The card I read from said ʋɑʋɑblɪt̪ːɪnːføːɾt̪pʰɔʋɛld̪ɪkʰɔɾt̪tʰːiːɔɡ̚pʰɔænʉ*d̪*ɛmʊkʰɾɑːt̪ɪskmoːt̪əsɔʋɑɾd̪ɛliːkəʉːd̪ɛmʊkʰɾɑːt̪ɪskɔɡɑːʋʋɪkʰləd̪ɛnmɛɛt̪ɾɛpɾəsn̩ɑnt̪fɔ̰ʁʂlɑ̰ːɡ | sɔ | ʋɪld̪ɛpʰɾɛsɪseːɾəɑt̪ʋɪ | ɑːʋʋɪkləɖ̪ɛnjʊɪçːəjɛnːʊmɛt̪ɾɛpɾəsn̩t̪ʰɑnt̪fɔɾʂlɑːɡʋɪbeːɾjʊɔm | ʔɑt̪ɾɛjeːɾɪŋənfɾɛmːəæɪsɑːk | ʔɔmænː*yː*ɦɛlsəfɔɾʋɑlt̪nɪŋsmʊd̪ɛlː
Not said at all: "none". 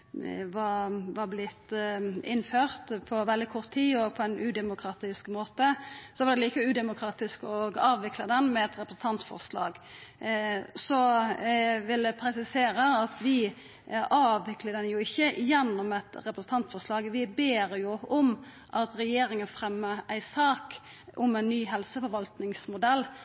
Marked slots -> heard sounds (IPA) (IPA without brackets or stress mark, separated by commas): d̪, yː